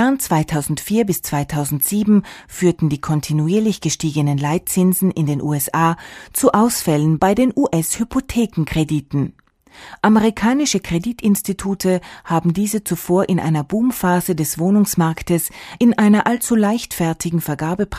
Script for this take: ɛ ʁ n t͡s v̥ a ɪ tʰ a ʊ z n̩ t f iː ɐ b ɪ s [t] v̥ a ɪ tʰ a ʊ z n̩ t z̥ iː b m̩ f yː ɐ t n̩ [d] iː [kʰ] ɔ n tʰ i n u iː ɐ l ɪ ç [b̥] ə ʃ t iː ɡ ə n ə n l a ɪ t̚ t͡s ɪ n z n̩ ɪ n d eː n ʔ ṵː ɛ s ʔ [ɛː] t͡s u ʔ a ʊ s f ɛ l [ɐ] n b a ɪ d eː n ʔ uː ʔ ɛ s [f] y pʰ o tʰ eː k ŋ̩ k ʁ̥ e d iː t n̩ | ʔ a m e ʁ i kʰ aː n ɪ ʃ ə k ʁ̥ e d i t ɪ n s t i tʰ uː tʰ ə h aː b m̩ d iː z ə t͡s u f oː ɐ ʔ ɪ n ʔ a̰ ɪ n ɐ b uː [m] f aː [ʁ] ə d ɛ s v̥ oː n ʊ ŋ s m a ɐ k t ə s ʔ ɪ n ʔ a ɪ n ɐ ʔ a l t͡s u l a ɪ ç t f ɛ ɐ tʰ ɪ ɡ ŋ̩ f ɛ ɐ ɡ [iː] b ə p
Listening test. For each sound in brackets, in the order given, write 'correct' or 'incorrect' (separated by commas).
incorrect, correct, correct, incorrect, incorrect, incorrect, incorrect, correct, incorrect, incorrect